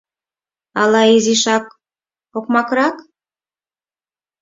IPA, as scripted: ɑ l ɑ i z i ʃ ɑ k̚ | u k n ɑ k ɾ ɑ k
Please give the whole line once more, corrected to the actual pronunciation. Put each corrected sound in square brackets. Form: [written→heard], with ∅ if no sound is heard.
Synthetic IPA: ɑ l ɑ i z i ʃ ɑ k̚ | [u→o] k [n→m] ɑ k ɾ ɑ k